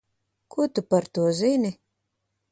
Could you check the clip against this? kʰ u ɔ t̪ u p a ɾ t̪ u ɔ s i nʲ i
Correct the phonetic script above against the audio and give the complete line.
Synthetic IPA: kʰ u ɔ t̪ u p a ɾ t̪ u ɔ z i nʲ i